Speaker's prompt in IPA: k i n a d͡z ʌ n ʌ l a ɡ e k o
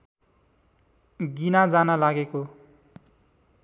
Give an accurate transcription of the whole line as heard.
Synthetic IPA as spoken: ɡ i n a d͡z a n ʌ l a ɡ e k o